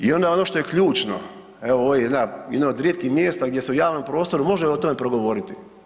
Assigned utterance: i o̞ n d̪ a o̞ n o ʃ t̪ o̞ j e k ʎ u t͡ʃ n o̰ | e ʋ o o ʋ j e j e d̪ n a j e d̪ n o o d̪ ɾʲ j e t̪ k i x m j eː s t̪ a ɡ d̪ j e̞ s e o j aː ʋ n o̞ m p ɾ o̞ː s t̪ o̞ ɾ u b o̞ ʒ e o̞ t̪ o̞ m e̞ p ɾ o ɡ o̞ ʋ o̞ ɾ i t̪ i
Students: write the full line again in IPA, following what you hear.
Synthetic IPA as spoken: i o̞ n d̪ a o̞ n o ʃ t̪ o̞ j e k ʎ uː t͡ʃ n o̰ | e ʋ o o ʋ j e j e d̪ n a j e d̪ n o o d̪ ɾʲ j e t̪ k i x m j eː s t̪ a ɡ d̪ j e̞ s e u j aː ʋ n o̞ m p ɾ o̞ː s t̪ o̞ ɾ u m o̞ ʒ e o̞ t̪ o̞ m e̞ p ɾ o ɡ o̞ ʋ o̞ ɾ i t̪ i